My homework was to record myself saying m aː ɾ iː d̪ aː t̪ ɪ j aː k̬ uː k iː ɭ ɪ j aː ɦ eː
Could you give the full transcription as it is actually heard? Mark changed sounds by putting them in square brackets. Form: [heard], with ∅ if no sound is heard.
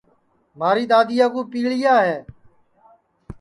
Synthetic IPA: m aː ɾ iː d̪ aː [d̪] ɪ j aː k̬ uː [p] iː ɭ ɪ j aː ɦ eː